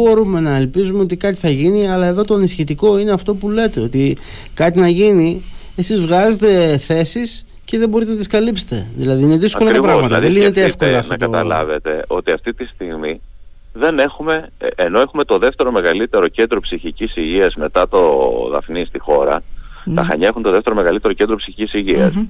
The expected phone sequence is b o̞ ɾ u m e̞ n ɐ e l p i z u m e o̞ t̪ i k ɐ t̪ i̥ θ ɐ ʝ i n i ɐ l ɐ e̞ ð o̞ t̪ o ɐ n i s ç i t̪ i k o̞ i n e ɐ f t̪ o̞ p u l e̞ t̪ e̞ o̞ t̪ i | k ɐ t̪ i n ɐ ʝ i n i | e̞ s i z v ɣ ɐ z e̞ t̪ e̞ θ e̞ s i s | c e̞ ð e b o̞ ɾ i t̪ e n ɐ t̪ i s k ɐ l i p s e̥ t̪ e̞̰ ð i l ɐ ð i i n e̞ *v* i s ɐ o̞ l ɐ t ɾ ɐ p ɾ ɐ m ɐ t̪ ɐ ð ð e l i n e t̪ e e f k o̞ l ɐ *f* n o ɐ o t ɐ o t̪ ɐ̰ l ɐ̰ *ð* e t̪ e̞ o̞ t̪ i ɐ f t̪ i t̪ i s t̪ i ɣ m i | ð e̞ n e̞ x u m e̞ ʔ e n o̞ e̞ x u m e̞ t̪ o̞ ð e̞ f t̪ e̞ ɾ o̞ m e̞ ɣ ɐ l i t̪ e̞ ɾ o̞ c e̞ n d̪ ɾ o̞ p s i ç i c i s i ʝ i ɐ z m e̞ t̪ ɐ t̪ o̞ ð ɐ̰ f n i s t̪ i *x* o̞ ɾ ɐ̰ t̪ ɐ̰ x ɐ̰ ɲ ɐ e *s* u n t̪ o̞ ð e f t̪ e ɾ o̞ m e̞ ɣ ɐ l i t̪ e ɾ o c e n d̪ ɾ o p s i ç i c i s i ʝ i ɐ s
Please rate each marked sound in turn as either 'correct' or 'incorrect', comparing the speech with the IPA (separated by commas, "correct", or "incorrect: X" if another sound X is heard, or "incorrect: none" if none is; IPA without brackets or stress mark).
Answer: incorrect: ð, correct, incorrect: v, correct, incorrect: x